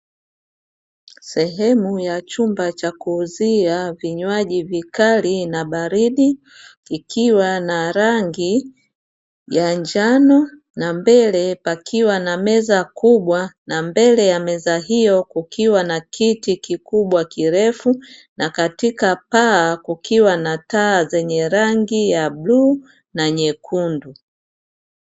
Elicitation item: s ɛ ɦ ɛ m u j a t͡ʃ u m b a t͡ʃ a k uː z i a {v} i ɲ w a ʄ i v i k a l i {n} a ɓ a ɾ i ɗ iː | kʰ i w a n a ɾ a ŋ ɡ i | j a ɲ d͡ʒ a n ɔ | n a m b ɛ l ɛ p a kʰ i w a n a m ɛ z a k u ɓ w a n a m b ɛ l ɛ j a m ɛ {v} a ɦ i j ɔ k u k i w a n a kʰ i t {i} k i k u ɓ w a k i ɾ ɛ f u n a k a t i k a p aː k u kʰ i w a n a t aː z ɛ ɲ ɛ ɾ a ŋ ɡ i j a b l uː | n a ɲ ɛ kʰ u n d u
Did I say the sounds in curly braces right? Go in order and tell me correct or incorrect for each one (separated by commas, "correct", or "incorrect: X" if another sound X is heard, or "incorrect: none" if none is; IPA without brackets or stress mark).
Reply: correct, correct, incorrect: z, correct